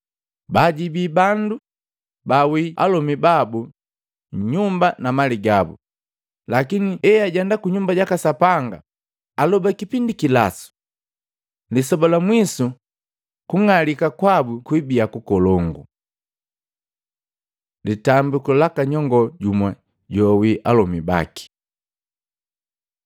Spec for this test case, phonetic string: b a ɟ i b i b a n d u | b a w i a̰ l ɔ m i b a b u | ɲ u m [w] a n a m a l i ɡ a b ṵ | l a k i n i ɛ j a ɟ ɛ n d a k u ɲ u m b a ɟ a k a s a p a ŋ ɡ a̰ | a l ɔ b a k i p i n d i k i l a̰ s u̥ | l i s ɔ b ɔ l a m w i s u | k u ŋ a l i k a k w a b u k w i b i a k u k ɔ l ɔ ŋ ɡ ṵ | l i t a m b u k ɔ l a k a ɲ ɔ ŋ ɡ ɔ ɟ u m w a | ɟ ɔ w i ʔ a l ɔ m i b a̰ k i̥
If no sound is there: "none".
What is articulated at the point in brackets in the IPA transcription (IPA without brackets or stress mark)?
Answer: b